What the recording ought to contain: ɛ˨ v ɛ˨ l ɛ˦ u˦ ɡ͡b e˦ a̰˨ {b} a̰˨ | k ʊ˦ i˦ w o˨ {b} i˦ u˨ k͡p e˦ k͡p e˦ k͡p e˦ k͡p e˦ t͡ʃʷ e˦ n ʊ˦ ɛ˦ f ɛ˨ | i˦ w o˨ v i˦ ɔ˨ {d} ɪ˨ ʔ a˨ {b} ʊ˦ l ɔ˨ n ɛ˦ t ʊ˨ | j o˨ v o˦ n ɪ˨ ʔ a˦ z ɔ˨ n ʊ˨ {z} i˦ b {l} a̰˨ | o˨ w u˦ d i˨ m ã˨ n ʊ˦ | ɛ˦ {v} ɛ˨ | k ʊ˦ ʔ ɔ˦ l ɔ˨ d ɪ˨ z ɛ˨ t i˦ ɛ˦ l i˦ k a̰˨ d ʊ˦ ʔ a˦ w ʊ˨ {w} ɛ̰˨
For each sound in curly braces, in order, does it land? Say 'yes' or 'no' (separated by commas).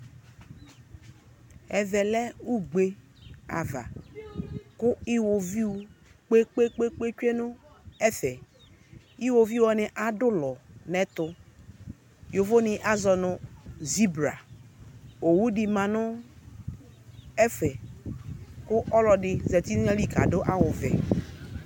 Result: no, no, no, no, yes, no, no, no